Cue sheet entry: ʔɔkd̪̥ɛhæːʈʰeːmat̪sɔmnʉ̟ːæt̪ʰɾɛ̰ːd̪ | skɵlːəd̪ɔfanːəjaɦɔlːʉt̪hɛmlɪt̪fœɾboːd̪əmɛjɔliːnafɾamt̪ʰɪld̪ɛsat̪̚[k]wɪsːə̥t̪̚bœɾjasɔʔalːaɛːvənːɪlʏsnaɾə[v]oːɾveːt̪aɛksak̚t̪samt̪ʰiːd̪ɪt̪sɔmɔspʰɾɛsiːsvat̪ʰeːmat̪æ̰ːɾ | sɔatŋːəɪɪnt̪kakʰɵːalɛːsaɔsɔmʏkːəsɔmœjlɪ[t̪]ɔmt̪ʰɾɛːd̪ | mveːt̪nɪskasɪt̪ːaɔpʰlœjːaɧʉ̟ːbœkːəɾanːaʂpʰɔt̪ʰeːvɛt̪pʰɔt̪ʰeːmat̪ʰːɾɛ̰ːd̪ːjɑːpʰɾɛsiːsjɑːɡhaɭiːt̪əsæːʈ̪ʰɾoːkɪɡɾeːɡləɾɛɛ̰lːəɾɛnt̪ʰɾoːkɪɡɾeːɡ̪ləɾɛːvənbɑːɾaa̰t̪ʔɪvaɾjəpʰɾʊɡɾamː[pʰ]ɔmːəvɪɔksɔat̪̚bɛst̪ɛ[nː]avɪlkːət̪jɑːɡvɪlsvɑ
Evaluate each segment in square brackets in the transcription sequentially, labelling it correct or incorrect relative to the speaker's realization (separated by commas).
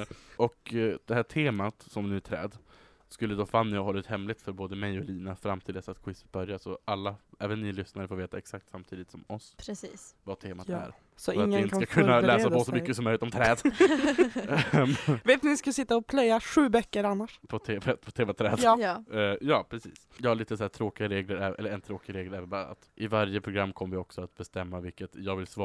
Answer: incorrect, incorrect, correct, incorrect, incorrect